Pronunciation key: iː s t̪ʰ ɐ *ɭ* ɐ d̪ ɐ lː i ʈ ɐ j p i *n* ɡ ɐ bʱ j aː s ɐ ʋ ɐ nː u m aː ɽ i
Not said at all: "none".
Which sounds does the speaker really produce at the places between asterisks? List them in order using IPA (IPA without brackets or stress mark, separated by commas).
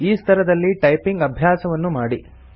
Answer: ɾ, ŋ